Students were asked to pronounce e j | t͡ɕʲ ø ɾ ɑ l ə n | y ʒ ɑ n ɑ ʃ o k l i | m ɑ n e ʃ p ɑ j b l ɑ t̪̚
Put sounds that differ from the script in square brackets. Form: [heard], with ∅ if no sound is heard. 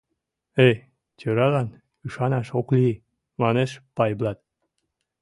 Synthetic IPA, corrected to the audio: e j | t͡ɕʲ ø ɾ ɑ l [ɑ] n | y [ʃ] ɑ n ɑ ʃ o k l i | m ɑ n e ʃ p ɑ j b l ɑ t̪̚